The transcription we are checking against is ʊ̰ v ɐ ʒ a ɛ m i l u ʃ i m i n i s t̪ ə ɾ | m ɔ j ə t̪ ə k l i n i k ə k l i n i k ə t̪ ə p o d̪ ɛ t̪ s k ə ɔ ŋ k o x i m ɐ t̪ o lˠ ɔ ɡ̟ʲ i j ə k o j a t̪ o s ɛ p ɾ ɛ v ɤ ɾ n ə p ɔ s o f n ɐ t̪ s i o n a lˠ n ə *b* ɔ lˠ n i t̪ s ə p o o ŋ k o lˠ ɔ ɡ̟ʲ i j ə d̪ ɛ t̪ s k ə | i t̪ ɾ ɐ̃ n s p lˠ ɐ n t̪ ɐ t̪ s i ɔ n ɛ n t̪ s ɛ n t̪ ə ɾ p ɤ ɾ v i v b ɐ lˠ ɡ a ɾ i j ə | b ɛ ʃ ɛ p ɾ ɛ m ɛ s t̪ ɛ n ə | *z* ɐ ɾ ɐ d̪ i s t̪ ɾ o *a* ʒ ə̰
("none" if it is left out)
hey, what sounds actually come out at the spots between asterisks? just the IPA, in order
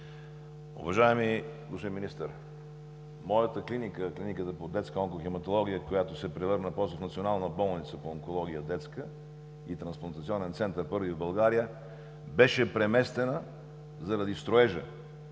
b, z, ɛ

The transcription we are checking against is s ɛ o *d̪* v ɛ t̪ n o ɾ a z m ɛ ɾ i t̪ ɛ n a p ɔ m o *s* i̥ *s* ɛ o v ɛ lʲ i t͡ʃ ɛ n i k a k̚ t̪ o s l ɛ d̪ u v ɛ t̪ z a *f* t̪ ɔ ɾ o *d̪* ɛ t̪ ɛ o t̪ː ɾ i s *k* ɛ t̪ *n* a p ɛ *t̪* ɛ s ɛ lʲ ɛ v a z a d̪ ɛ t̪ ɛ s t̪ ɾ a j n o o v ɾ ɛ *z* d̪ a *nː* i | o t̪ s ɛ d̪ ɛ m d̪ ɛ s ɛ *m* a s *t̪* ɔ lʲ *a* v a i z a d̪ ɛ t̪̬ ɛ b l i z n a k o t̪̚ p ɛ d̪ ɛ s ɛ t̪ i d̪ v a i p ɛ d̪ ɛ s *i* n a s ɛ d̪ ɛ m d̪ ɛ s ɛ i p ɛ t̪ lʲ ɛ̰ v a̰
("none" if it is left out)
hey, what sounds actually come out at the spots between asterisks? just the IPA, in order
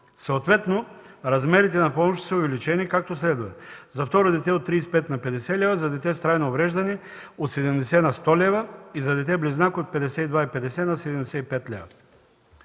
t̪, ʃ, s, f, d̪, p, n, d̪, ʒ, n, n, t̪, ɛ, ɛ

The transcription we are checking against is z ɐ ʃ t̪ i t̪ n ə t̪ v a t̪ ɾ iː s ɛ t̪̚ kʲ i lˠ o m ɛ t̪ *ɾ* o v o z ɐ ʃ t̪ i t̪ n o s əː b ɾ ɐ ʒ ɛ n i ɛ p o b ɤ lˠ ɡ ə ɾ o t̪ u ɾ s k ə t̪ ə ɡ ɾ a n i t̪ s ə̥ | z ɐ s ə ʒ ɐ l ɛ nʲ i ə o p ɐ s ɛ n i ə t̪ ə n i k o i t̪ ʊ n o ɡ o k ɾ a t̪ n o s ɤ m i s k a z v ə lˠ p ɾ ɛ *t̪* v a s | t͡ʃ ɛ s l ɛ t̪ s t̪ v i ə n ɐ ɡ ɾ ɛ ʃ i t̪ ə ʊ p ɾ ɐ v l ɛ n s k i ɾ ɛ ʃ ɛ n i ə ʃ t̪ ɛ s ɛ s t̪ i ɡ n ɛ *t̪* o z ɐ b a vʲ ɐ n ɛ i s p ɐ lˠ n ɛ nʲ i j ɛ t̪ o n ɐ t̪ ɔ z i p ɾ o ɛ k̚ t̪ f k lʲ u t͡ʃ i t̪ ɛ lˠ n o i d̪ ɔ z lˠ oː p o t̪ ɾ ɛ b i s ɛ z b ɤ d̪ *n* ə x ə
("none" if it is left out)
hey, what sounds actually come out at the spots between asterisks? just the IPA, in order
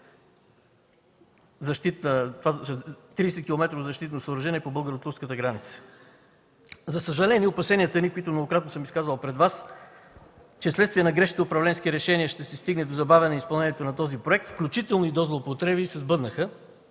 ɾ, d̪, d̪, n

